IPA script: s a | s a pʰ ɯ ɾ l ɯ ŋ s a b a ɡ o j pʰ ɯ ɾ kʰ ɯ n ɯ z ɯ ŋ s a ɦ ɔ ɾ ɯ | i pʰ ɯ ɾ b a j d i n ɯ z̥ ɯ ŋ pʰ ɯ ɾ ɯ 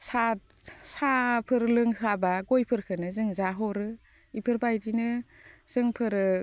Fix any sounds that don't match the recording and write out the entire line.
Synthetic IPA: s a | s a pʰ ɯ ɾ l ɯ ŋ s a b a ɡ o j pʰ ɯ ɾ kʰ ɯ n ɯ z ɯ ŋ z a ɦ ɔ ɾ ɯ | i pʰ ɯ ɾ b a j d i n ɯ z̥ ɯ ŋ pʰ ɯ ɾ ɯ